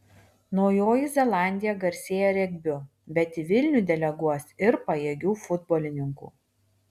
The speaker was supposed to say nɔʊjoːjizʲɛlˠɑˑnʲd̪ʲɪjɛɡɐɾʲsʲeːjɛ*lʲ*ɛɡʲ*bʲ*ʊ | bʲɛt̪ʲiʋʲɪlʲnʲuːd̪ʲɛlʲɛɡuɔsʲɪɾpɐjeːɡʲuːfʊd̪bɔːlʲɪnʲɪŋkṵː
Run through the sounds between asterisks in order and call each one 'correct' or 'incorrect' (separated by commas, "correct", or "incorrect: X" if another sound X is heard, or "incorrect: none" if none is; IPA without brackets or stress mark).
incorrect: ɾʲ, correct